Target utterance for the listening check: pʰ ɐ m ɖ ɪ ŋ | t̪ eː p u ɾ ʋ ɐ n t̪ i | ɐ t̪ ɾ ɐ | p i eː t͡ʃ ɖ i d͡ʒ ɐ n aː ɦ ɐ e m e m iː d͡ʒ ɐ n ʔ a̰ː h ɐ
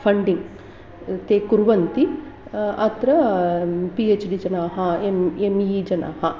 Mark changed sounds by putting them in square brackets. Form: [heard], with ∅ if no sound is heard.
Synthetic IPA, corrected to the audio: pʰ ɐ [ɳ] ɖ [i] ŋ | t̪ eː [k] u ɾ ʋ ɐ n t̪ i | ɐ t̪ ɾ ɐ | p i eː t͡ʃ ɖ i d͡ʒ ɐ n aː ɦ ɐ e m e m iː d͡ʒ ɐ n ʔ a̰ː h ɐ